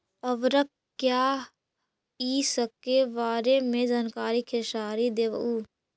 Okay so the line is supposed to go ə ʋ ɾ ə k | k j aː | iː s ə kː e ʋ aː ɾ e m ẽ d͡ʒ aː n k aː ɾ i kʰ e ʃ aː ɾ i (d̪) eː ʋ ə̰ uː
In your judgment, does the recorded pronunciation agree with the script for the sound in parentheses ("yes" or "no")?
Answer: yes